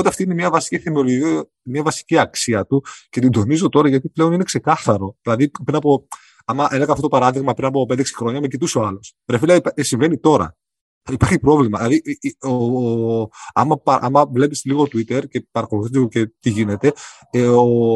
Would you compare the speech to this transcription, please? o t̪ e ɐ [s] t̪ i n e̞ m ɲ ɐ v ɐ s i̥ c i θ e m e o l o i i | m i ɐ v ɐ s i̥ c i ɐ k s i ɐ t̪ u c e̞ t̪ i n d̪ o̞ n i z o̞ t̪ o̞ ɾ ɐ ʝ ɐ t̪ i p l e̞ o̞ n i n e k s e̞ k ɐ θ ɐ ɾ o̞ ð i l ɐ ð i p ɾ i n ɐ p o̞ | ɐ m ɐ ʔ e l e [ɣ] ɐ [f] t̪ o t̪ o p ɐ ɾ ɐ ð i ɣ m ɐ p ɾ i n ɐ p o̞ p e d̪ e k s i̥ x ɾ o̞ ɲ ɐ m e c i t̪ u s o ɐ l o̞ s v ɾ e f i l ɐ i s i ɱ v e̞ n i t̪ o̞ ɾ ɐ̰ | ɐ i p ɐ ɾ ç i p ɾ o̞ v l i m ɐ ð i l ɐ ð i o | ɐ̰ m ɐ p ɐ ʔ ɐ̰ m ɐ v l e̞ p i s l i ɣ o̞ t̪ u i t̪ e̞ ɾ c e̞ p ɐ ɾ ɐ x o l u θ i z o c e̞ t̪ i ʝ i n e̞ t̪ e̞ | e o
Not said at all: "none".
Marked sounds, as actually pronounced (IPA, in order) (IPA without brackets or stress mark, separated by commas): f, ɣ, f